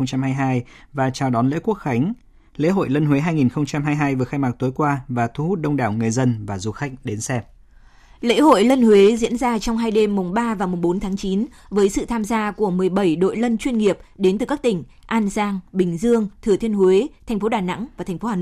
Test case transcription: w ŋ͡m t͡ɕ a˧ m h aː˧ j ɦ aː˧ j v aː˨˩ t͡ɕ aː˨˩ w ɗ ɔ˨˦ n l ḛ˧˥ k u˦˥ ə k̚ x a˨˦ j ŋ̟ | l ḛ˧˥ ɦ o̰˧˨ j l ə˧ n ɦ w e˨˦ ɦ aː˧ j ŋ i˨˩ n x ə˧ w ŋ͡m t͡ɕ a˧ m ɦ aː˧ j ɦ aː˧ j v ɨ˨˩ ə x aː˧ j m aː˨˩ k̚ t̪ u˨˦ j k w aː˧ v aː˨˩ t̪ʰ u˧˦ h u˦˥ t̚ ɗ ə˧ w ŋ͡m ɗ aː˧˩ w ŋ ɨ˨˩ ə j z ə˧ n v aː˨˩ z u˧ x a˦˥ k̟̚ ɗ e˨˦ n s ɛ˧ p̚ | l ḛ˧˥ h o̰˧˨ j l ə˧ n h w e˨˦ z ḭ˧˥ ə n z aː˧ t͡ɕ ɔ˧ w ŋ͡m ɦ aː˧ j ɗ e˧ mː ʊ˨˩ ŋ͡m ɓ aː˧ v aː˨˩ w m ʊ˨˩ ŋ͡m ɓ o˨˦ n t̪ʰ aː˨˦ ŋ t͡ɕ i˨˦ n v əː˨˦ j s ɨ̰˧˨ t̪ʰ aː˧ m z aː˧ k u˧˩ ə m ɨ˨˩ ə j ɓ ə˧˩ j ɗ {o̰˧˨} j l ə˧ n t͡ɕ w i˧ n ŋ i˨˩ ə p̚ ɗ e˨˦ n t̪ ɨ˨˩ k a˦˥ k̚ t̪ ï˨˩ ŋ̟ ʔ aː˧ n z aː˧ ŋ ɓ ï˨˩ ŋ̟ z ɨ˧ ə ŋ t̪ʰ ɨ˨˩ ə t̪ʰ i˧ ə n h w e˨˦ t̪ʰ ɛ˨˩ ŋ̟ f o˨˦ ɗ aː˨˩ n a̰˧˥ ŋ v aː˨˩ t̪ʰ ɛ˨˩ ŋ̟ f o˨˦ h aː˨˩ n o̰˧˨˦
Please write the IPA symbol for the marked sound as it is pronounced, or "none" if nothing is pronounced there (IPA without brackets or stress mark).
o̰˧˨